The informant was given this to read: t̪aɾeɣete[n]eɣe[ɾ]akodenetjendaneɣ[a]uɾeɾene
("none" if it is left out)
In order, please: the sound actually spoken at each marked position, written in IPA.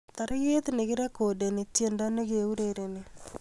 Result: n, ɾ, e

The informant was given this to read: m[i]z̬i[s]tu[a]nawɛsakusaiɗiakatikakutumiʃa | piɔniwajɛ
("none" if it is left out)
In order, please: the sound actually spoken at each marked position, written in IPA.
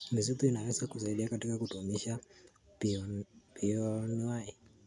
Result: i, none, i

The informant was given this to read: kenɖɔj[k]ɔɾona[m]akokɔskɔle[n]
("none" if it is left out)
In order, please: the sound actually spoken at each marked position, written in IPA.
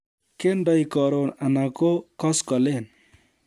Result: k, n, n

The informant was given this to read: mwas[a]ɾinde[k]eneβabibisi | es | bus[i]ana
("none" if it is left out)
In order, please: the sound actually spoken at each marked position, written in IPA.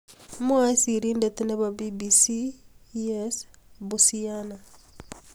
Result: i, t, i

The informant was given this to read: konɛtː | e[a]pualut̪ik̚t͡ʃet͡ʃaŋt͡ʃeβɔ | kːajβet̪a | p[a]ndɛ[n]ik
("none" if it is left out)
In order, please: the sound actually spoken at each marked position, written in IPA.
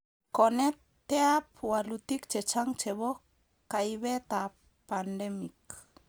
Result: a, a, m

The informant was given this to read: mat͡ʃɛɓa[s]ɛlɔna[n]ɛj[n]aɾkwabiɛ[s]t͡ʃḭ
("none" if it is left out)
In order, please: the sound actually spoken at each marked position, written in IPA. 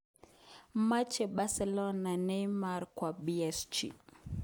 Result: s, n, m, s

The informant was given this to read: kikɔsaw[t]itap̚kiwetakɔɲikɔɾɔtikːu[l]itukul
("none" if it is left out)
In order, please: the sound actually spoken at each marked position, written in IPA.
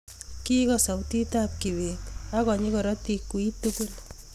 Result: t, none

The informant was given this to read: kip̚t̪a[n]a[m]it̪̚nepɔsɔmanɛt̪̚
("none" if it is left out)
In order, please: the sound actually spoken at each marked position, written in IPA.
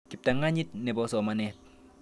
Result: ŋ, ɲ

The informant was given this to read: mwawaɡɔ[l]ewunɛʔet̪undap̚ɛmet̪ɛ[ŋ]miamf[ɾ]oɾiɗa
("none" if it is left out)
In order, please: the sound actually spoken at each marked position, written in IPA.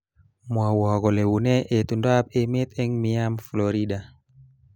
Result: l, ŋ, l

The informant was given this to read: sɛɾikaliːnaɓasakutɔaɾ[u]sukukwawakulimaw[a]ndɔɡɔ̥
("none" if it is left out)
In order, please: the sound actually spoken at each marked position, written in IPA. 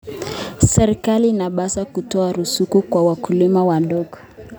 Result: u, a

